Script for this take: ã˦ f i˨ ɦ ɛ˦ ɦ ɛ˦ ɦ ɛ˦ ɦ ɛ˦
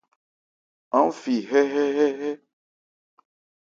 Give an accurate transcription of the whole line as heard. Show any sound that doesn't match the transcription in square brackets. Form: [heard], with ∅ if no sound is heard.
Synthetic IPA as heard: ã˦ f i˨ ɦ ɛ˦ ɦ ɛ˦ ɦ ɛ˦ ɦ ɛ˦